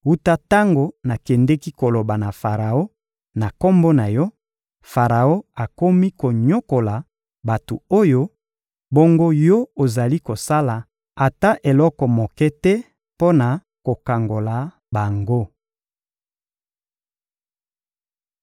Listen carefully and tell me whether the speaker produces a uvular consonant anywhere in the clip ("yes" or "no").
yes